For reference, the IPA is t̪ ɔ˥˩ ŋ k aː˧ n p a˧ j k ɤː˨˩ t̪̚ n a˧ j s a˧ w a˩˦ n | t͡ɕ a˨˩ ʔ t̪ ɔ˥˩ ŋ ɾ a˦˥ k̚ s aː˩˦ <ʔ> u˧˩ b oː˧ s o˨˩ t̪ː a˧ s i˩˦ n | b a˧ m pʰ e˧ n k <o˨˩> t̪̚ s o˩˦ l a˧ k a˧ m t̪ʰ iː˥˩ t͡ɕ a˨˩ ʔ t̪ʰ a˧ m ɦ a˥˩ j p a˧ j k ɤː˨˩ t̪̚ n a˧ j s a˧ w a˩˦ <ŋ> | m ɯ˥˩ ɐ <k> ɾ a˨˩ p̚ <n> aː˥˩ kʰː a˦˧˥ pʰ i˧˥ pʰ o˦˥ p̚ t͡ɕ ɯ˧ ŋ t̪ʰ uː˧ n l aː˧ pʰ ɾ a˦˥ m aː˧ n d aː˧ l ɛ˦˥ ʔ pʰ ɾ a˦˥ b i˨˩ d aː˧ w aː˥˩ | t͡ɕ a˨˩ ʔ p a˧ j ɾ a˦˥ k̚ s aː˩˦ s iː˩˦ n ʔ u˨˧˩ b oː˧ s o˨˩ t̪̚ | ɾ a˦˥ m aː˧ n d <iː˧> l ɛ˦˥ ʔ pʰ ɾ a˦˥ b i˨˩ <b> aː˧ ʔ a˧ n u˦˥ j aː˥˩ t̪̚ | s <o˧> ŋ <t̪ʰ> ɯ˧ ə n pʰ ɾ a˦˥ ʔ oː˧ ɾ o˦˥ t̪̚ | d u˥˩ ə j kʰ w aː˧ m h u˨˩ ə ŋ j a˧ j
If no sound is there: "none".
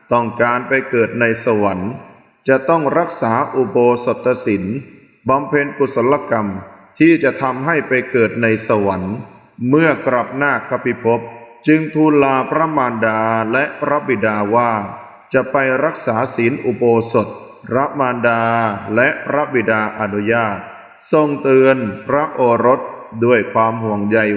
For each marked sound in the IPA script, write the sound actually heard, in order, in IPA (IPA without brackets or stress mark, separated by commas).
ʔ, u˨˩, n, k, n, aː˧, d, o˧, t̪